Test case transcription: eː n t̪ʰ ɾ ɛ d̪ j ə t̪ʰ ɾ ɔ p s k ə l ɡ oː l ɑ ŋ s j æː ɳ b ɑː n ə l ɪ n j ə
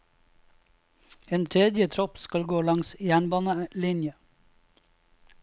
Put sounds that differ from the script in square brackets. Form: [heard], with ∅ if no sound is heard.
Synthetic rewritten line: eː n t̪ʰ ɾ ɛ d̪ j ə t̪ʰ ɾ ɔ p s k [ɑ] l ɡ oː l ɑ ŋ s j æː ɳ b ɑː n ə l ɪ n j ə